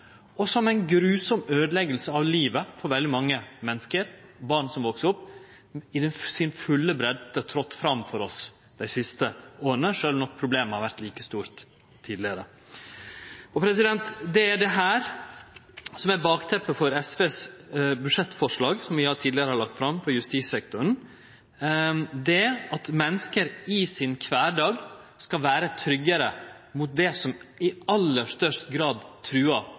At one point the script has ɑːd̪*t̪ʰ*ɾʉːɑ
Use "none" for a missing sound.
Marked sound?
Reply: t̪ʰ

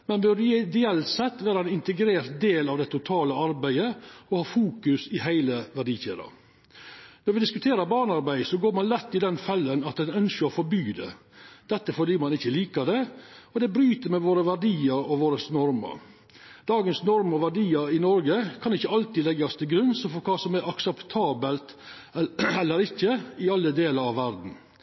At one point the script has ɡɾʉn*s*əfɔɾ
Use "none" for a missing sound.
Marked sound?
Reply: s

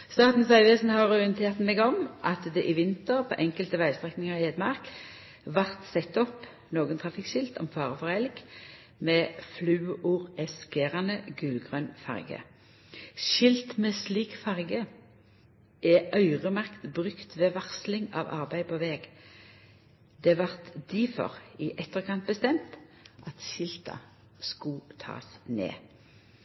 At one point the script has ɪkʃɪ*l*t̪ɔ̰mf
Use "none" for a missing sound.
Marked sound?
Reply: l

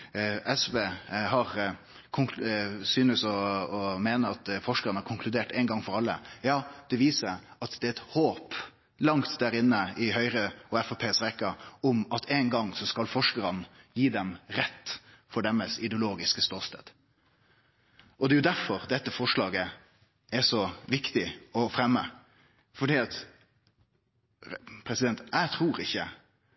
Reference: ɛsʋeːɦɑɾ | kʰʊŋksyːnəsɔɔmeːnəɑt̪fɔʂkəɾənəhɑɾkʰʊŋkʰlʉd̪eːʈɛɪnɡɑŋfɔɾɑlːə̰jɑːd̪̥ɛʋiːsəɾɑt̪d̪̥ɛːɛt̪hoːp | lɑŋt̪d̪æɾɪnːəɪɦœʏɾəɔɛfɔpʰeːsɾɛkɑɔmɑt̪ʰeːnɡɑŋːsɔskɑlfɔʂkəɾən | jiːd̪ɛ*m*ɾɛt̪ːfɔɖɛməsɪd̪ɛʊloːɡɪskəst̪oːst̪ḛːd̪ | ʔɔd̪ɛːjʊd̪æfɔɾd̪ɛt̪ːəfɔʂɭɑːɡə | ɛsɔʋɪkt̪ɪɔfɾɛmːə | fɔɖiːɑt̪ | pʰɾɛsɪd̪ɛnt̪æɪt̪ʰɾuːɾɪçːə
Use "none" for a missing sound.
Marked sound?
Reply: m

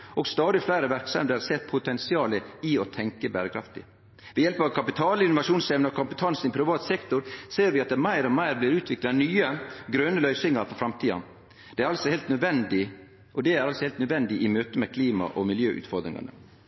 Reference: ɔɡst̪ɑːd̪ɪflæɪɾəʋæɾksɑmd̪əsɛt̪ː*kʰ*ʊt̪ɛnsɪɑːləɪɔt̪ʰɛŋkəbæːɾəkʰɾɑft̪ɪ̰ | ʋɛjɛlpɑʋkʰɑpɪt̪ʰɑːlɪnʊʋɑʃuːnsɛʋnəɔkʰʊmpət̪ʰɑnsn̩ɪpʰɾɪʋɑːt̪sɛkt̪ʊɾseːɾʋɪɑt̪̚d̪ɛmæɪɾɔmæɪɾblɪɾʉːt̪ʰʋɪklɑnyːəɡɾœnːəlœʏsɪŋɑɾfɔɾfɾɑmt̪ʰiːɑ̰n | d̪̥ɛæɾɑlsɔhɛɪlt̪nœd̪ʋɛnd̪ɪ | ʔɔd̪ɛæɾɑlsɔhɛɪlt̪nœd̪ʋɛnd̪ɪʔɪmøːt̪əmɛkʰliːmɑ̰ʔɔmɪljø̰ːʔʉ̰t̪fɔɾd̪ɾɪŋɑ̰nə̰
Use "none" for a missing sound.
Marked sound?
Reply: pʰ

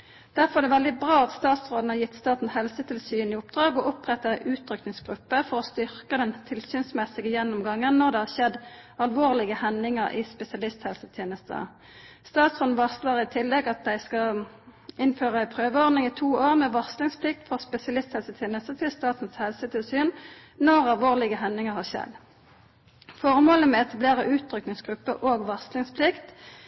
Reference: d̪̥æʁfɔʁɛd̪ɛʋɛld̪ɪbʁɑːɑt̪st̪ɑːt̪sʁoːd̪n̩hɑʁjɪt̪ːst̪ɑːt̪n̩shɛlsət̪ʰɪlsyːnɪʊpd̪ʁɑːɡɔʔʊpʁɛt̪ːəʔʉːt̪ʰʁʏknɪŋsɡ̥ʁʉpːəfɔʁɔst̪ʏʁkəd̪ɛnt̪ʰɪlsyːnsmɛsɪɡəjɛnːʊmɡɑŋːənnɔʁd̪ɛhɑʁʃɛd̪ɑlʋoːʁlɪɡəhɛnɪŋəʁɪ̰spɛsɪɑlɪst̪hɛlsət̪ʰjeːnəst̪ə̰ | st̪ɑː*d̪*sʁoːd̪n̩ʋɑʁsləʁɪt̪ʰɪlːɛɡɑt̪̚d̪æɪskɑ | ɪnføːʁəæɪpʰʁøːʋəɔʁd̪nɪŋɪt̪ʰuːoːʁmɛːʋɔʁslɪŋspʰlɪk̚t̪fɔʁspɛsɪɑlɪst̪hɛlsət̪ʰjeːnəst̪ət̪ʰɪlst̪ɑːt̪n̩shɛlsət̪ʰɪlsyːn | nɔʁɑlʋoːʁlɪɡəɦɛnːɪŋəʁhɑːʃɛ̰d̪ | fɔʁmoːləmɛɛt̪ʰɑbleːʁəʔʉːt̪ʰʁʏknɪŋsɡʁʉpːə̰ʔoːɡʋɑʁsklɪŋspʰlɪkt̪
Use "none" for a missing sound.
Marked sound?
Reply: t̪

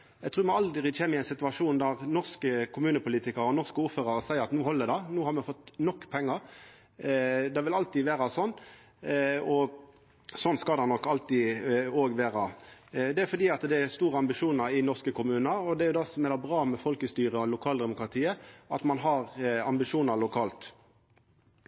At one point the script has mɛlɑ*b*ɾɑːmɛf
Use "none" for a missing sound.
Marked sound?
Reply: b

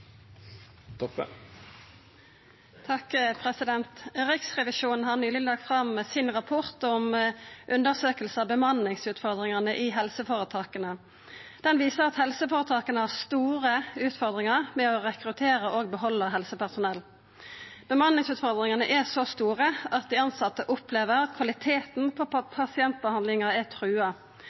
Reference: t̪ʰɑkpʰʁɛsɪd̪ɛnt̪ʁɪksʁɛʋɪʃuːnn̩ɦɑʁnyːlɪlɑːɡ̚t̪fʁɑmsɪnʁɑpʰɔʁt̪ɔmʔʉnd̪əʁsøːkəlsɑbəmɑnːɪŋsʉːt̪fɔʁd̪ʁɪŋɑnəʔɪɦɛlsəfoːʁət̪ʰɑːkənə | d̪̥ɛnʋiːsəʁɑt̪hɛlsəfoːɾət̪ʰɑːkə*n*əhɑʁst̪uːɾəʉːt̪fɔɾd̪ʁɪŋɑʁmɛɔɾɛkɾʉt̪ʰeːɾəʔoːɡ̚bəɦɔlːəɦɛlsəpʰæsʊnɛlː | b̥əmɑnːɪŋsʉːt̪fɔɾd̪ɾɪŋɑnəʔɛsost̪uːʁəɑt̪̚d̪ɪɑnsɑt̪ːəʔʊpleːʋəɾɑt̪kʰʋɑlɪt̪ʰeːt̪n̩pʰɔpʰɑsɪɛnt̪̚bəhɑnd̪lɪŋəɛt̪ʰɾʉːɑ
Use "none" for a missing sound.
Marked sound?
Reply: n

